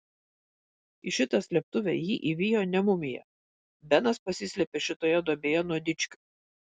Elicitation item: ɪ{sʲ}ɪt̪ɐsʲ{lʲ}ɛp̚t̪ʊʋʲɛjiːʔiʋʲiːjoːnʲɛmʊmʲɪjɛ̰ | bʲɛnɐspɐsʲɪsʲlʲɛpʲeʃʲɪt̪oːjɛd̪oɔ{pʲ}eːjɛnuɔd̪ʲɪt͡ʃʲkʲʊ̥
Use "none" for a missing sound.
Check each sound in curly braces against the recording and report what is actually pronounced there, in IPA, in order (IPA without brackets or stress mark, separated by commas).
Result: ʃʲ, lʲ, bʲ